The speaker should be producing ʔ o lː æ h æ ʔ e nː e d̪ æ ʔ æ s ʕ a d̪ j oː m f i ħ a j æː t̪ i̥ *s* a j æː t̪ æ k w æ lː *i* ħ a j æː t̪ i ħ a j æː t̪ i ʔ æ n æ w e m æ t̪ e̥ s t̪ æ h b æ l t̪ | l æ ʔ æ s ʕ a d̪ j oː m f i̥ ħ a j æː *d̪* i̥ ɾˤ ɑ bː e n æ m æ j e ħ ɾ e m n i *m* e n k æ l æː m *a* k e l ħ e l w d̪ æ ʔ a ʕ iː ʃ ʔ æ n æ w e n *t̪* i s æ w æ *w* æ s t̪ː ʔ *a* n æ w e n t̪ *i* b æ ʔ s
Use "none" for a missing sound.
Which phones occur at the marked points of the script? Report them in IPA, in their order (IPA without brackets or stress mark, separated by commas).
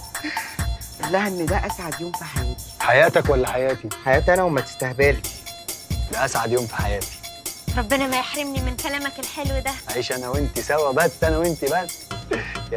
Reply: ħ, æ, t̪, m, æ, t̪, b, æ, i